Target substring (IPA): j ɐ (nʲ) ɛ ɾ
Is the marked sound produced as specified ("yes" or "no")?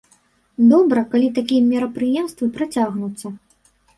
no